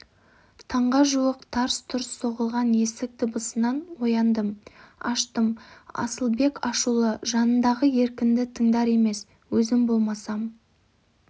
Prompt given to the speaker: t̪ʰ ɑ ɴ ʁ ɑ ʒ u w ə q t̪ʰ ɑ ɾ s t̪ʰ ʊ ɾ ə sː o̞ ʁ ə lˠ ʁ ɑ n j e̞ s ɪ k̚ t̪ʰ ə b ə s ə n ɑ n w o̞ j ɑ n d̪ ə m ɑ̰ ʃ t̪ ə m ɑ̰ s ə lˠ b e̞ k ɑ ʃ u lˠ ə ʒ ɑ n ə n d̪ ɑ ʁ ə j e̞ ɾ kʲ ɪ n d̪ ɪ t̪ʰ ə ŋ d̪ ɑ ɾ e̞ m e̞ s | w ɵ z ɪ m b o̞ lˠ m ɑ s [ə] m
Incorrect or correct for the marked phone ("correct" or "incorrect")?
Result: incorrect